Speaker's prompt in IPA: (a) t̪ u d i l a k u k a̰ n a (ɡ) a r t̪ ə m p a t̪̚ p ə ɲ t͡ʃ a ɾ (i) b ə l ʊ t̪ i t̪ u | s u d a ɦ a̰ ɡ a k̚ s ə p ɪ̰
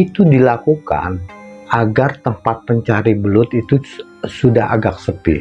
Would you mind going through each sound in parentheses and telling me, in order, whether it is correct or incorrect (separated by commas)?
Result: incorrect, correct, correct